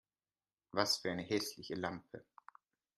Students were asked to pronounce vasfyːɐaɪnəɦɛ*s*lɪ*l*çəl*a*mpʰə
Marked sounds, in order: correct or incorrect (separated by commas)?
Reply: correct, incorrect, correct